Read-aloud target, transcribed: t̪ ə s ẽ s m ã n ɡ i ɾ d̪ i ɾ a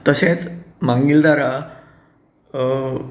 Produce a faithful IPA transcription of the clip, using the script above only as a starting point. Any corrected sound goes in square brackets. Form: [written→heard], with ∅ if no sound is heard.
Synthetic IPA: t̪ ə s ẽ [s→t͡s] m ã [n→ŋ] ɡ i [ɾ→l] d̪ [i→a] ɾ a

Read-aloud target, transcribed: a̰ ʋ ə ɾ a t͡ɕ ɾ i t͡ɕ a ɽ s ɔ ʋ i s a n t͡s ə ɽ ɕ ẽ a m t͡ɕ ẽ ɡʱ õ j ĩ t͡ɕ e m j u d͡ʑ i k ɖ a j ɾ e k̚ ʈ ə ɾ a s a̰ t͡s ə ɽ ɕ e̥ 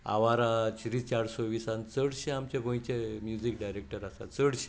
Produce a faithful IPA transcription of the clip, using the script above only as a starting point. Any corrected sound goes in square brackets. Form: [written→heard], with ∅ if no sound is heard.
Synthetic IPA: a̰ ʋ [ə→a] ɾ a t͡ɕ ɾ i t͡ɕ a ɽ s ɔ ʋ i s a n t͡s ə ɽ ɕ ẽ a m t͡ɕ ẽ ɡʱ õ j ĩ t͡ɕ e m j u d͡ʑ i k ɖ a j ɾ e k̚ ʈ ə ɾ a s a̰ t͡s ə ɽ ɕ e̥

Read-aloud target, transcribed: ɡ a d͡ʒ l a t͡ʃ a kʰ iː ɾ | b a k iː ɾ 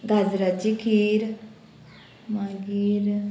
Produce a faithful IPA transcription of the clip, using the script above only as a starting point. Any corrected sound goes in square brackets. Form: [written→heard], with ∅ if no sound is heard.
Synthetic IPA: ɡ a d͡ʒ [l→ɾ] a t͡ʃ [a→i] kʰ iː ɾ | [b→m] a [k→ɡ] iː ɾ

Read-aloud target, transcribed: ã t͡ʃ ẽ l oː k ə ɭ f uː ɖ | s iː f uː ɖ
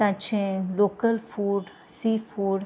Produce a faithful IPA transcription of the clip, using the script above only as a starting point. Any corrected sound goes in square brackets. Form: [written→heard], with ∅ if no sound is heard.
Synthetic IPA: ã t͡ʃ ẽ l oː k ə [ɭ→l] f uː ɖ | s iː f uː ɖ

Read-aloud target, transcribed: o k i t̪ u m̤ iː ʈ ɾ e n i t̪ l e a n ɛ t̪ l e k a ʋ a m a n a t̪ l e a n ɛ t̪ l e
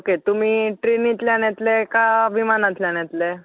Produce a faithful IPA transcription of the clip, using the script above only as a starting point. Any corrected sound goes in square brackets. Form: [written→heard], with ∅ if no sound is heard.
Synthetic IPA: o k [i→e] t̪ u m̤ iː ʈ ɾ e n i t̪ l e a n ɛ t̪ l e k a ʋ [a→i] m a n a t̪ l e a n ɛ t̪ l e

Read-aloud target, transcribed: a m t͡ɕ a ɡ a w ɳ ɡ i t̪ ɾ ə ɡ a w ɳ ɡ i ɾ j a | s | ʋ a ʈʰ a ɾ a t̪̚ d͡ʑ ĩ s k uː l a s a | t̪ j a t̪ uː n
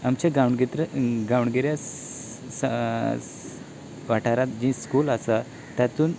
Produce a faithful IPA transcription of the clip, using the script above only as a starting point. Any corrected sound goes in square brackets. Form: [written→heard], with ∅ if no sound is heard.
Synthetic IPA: a m t͡ɕ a ɡ a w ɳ ɡ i t̪ ɾ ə ɡ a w ɳ ɡ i ɾ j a | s | ʋ a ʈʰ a ɾ a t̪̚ d͡ʑ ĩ s k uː l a s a | t̪ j a t̪ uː n

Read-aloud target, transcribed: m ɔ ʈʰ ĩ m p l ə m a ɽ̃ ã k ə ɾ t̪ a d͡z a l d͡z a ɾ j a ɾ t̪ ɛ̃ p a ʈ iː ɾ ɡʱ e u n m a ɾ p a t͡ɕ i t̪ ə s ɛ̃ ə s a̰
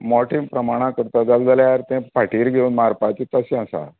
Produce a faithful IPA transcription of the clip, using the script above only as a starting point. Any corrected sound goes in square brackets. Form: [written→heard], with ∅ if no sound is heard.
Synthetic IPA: m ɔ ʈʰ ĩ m p [l→ɾ] ə m a ɽ̃ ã k ə ɾ t̪ a d͡z a l d͡z a [ɾ→l] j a ɾ t̪ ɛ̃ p a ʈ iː ɾ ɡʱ e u n m a ɾ p a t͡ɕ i t̪ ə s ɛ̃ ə s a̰

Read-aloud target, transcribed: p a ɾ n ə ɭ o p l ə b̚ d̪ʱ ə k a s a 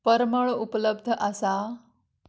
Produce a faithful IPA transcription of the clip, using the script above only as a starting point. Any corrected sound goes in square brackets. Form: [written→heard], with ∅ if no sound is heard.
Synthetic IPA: p [a→ə] ɾ [n→m] ə ɭ [o→u] p l ə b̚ d̪ʱ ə [k→ʔ] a s a

